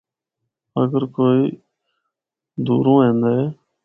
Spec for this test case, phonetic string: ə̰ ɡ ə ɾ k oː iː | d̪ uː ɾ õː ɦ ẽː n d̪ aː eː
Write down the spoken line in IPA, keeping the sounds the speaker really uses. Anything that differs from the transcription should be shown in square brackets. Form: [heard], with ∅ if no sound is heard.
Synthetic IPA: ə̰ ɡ ə ɾ k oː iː | d̪ uː ɾ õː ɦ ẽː n d̪ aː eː